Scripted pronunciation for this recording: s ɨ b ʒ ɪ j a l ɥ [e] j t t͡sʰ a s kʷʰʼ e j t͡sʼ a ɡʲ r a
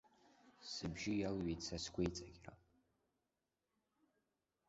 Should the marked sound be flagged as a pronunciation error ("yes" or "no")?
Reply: no